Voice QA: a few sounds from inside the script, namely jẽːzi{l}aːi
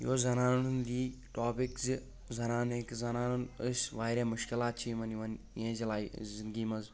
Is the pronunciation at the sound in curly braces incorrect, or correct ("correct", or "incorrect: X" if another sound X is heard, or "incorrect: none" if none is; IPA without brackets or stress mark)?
correct